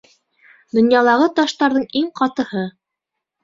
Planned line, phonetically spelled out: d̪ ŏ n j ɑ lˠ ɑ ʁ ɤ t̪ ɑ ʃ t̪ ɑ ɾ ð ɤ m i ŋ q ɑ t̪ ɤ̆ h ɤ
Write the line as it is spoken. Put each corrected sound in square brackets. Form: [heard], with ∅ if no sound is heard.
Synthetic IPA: d̪ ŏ n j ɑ lˠ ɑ ʁ ɤ t̪ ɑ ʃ t̪ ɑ ɾ ð ɤ [ɴ] i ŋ q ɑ t̪ ɤ̆ h ɤ